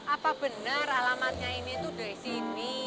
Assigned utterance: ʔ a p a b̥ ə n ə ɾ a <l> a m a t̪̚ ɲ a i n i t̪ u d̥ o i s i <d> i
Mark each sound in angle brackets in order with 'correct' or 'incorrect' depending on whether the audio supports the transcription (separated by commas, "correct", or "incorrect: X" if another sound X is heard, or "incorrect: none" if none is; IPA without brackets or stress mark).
correct, incorrect: n